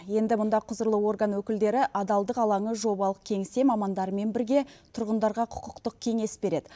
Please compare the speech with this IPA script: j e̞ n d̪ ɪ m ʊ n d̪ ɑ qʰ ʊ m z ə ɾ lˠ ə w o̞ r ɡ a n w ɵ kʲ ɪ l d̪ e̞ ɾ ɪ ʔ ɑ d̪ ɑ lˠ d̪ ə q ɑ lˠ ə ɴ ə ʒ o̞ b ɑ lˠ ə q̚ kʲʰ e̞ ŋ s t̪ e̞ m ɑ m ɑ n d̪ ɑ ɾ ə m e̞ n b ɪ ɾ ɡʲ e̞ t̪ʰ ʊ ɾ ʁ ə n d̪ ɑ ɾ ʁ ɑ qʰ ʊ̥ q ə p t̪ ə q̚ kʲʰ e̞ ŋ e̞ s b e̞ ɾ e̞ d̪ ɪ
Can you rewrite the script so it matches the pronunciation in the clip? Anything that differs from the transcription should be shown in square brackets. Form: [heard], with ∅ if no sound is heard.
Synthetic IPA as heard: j e̞ n d̪ ɪ m ʊ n d̪ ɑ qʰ ʊ [∅] z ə ɾ lˠ ə w o̞ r ɡ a n w ɵ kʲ ɪ l d̪ e̞ ɾ ɪ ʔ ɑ d̪ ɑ lˠ d̪ ə q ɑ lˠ [ɑ] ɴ ə ʒ o̞ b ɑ lˠ ə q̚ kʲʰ e̞ ŋ s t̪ e̞ m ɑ m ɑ n d̪ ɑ ɾ ə m e̞ n b ɪ ɾ ɡʲ e̞ t̪ʰ ʊ ɾ ʁ ə n d̪ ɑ ɾ ʁ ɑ qʰ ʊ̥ q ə [q] t̪ ə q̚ kʲʰ e̞ ŋ e̞ s b e̞ ɾ e̞ d̪ ɪ